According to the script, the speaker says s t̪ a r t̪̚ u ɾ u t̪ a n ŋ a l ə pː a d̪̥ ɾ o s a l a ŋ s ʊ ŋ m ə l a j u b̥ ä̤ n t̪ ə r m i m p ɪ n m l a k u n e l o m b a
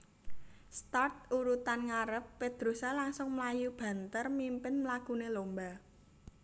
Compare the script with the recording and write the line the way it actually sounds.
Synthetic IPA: s t̪ a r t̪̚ u ɾ u t̪ a n ŋ a ɾ ə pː e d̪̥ ɾ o s a l a ŋ s ʊ ŋ m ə l a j u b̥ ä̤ n t̪ ə r m i m p ɪ n m l a k u n e l o m b a